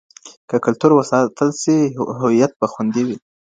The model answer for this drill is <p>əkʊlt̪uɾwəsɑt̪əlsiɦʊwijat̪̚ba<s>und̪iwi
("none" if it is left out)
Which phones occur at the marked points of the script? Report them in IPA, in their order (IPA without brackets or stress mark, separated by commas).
k, x